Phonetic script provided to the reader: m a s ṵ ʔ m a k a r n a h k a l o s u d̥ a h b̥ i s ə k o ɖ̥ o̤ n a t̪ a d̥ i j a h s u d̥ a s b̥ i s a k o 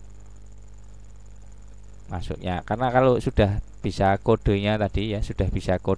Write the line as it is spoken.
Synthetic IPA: m a s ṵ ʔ ɲ a k a r n a k a l o s u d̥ a h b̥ i s a k o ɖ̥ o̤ ɲ a t̪ a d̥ i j a s u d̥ a h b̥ i s a k o